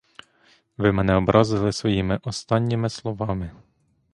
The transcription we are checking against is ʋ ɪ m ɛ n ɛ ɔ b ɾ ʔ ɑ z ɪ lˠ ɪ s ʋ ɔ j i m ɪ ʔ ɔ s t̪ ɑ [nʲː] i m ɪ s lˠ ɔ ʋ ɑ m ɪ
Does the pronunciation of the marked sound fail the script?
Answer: no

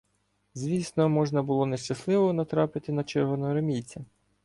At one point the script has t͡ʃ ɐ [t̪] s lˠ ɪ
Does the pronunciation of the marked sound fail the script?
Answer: yes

